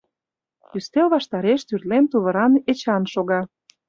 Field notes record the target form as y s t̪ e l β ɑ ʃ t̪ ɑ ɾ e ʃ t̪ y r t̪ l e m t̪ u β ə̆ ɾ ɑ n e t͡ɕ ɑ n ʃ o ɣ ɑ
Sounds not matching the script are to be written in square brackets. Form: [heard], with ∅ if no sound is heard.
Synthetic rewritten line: y s t̪ e l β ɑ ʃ t̪ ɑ ɾ e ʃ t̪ y r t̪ l e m t̪ u β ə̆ ɾ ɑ n e t͡ɕ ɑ n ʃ o ɣ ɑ